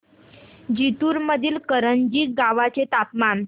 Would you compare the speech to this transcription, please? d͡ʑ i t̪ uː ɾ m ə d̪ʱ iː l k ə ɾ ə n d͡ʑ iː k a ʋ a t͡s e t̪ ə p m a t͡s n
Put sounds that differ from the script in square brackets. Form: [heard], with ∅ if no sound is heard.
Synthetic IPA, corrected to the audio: d͡ʑ i t̪ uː ɾ m ə d̪ʱ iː l k ə ɾ ə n d͡ʑ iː [ɡ] a ʋ a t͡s e t̪ [a] p m a [∅] n